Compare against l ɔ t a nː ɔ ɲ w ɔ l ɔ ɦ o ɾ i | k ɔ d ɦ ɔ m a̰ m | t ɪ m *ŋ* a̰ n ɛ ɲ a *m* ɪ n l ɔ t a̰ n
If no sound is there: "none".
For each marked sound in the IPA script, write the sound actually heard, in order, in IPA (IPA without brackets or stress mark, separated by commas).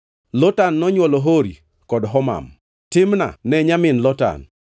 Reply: n, m